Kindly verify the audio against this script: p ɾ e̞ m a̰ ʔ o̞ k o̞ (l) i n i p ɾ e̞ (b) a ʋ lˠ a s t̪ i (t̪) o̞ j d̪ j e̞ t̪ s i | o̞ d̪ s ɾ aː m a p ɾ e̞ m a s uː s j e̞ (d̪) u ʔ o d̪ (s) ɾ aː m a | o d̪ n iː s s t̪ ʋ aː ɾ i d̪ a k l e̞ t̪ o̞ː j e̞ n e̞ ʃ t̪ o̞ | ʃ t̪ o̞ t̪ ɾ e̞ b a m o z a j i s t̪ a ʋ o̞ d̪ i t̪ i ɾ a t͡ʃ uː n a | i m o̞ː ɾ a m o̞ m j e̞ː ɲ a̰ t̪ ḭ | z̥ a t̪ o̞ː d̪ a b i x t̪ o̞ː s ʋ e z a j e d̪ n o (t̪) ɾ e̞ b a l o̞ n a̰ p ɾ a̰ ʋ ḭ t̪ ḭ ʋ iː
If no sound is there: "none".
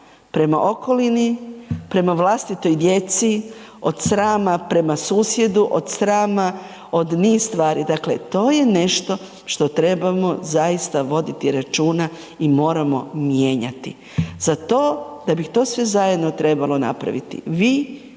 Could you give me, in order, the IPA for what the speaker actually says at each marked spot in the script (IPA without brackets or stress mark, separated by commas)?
l, m, t̪, d̪, s, t̪